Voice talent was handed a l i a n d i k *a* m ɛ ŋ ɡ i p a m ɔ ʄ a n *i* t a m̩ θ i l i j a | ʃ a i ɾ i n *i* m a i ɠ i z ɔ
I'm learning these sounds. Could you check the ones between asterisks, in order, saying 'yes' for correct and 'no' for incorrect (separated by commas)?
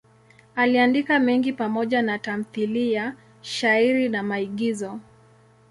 yes, no, no